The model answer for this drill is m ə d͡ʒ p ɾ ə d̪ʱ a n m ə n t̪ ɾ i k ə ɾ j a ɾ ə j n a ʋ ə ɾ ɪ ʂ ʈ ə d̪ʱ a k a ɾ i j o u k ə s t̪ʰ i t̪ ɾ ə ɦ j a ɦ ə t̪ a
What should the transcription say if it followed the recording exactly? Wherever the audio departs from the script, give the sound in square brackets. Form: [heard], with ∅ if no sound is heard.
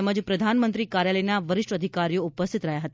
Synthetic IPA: m ə d͡ʒ p ɾ ə d̪ʱ a n m ə n t̪ ɾ i k [a] ɾ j a [l] ə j n a ʋ ə ɾ ɪ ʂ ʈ ə d̪ʱ [i] k a ɾ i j o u [p] ə s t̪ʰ i t̪ ɾ ə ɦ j a ɦ ə t̪ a